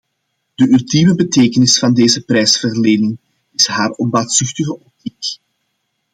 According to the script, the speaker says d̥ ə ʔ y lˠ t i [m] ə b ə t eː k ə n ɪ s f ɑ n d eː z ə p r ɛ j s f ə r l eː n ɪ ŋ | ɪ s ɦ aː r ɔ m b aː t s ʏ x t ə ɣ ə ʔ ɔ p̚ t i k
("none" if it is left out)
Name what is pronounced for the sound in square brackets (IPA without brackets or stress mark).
m